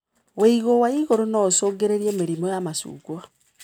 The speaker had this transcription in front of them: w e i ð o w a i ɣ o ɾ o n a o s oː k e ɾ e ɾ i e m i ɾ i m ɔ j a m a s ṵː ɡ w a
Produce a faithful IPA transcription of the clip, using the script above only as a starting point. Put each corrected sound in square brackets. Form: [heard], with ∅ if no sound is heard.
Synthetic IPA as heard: w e i [ɣ] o w a i ɣ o ɾ o n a o s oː [ɡ] e ɾ e ɾ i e m [e] ɾ i m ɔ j a m a s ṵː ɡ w a